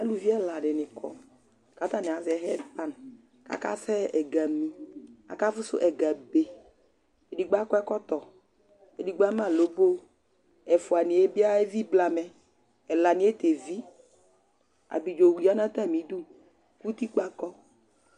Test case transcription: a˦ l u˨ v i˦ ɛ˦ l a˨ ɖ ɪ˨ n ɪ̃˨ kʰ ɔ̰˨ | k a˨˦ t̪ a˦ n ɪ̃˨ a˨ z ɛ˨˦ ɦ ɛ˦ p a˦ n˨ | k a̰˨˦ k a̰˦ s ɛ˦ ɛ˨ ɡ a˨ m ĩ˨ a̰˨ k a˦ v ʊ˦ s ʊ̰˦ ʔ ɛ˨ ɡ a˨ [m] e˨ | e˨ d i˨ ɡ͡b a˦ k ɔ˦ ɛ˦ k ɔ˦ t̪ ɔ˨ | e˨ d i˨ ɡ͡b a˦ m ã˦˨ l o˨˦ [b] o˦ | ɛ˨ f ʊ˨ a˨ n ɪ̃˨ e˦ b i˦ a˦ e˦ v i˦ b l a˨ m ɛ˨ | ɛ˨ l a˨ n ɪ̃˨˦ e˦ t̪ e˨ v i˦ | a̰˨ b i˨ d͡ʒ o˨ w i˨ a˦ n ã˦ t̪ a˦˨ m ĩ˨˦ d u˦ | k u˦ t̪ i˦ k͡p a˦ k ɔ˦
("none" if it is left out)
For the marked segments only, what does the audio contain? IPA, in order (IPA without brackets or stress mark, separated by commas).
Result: b, b